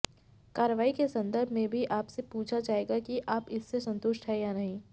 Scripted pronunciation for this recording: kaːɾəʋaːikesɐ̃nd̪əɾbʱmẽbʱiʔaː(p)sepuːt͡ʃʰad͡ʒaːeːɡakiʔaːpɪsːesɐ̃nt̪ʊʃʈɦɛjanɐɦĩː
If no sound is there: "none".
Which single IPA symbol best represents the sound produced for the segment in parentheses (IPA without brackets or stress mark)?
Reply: p